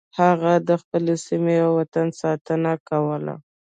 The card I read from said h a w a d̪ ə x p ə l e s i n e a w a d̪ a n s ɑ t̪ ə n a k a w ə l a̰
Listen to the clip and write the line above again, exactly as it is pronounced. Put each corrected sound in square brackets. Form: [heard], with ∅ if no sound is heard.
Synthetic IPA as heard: h a [ɣ] a d̪ ə x p ə l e s i [m] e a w a [t̪] a n s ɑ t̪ ə n a k a w ə l a̰